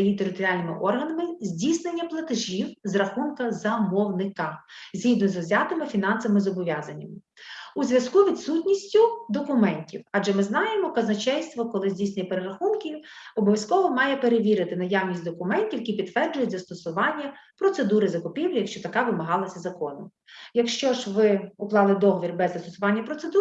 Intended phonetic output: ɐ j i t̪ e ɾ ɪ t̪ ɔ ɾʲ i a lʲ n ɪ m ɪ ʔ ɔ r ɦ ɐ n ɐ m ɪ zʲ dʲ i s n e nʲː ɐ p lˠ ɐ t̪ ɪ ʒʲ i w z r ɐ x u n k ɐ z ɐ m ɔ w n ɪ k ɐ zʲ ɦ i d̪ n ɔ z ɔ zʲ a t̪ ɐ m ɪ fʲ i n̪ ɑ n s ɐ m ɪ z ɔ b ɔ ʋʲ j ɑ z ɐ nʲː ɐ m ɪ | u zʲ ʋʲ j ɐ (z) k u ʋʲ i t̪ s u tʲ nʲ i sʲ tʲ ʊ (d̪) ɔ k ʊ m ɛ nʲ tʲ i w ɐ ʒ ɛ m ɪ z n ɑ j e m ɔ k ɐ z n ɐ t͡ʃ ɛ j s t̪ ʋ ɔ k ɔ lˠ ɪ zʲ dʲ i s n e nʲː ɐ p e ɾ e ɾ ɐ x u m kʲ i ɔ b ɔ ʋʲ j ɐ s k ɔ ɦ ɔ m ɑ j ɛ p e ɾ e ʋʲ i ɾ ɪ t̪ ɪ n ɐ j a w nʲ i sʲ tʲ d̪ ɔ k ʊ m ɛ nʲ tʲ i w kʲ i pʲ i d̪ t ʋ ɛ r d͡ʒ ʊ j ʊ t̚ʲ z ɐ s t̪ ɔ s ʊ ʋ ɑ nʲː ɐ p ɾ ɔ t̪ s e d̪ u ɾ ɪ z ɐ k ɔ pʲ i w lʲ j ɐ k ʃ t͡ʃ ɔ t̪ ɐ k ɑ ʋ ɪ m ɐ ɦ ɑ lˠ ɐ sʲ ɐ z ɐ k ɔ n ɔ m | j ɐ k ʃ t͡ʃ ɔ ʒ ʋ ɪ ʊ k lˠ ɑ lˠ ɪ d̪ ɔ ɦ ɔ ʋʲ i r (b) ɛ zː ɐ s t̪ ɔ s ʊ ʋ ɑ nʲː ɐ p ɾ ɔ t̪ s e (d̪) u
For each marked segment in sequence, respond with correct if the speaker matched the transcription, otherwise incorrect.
incorrect: s, correct, correct, correct

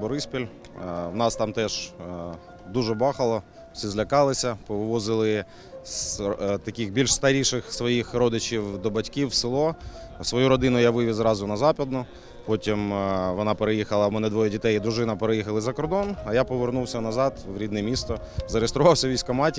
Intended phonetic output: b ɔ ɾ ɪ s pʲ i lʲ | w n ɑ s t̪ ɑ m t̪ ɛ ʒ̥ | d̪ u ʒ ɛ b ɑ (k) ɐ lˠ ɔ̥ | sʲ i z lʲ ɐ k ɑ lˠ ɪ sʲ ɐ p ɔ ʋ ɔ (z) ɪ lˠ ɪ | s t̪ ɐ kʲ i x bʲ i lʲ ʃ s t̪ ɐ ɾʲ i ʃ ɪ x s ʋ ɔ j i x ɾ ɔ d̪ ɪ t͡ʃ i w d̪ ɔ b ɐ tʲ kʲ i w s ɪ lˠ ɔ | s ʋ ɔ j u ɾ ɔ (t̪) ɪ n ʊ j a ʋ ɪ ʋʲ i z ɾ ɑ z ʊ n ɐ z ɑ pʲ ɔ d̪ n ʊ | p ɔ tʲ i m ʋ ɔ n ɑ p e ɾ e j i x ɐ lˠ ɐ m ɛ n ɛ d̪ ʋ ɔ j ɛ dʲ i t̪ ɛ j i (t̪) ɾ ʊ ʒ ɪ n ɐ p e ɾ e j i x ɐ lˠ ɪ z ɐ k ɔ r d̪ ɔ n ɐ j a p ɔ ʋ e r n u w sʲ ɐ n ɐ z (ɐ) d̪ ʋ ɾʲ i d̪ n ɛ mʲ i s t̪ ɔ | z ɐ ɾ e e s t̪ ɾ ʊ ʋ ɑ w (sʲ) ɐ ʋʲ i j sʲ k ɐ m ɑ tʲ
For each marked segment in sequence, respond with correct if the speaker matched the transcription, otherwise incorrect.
incorrect: x, correct, incorrect: d̪, incorrect: d̪, incorrect: ɑ, correct

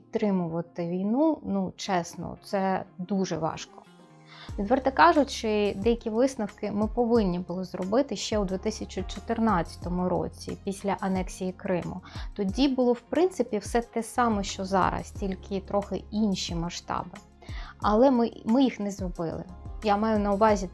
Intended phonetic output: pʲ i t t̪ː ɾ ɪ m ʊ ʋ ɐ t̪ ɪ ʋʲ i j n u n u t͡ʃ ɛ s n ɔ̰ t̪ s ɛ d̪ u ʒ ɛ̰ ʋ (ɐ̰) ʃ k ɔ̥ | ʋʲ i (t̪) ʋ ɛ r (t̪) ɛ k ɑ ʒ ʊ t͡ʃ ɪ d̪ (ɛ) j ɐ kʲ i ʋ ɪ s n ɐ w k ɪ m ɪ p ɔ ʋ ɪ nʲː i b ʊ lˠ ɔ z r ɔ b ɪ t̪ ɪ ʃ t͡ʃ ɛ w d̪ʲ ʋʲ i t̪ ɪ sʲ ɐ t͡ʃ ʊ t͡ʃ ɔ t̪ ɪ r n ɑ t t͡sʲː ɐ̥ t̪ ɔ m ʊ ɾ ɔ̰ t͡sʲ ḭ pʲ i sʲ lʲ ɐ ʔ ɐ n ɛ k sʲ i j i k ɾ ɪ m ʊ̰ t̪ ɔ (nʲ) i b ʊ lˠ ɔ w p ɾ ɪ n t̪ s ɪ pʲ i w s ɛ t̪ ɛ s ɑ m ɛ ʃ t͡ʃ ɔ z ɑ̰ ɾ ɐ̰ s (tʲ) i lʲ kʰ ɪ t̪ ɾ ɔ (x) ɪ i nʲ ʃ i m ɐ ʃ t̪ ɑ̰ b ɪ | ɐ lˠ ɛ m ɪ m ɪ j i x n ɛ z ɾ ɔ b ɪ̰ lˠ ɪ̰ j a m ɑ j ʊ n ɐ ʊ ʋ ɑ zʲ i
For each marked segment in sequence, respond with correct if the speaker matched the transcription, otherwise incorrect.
incorrect: ɑ̰, incorrect: d̪, correct, correct, incorrect: dʲ, correct, correct

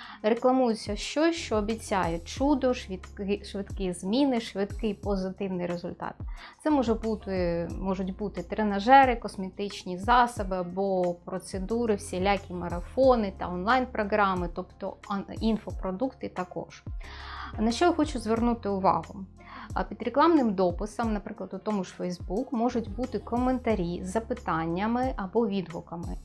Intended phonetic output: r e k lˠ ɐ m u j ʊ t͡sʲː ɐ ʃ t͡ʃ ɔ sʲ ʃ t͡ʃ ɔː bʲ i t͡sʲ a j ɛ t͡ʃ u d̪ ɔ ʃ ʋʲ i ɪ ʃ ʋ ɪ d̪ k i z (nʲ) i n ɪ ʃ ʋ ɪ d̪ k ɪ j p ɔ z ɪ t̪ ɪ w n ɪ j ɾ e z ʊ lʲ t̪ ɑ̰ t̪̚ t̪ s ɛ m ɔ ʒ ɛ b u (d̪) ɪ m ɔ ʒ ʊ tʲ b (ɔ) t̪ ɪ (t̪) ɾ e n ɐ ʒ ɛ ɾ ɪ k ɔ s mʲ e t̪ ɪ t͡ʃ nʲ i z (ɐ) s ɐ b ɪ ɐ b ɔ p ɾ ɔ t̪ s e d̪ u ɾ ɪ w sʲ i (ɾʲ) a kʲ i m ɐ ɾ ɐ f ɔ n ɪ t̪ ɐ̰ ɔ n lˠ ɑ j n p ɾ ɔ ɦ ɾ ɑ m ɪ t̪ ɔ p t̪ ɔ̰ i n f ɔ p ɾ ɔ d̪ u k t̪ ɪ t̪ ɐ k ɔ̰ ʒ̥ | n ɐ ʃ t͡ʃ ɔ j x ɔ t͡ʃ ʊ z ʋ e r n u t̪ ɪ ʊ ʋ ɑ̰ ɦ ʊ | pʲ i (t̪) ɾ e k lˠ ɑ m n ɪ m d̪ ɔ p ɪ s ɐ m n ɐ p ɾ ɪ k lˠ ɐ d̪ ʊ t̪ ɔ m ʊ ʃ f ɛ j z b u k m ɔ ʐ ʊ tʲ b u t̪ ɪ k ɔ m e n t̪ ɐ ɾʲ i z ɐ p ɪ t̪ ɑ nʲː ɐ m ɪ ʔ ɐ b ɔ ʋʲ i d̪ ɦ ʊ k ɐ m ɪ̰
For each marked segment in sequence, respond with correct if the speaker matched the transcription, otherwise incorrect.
incorrect: mʲ, incorrect: t̪, incorrect: u, correct, incorrect: ɑ, incorrect: lʲ, incorrect: d̪

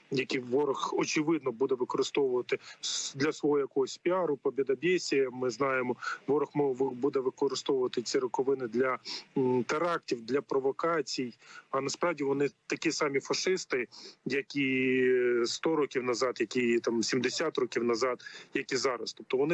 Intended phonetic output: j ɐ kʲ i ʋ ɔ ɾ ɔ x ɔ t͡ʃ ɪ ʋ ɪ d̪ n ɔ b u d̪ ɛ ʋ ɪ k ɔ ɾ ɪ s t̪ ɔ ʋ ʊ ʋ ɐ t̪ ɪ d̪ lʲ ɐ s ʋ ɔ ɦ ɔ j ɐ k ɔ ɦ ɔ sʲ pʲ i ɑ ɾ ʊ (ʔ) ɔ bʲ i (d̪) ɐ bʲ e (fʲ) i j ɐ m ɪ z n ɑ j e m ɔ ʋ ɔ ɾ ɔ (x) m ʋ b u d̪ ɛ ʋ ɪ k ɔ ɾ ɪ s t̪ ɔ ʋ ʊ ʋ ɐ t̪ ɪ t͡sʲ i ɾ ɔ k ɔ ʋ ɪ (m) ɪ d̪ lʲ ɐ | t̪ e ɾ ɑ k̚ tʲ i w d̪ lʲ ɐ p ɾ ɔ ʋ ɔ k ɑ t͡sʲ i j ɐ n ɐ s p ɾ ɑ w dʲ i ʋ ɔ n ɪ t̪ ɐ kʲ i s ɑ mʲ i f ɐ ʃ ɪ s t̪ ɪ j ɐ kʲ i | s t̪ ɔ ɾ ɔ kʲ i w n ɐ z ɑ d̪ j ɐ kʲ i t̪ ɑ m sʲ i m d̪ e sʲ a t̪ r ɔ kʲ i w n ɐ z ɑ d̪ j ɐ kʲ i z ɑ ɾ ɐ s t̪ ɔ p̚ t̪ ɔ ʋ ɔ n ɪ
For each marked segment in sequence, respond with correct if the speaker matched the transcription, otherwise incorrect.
incorrect: p, correct, incorrect: sʲ, correct, incorrect: n

